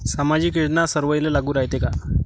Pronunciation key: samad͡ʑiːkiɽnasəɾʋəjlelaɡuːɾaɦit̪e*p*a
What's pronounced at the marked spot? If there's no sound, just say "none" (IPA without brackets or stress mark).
k